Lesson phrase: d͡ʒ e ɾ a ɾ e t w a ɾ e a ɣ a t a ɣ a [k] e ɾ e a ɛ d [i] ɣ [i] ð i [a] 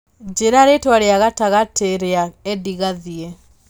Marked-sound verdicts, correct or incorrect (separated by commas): incorrect, correct, incorrect, incorrect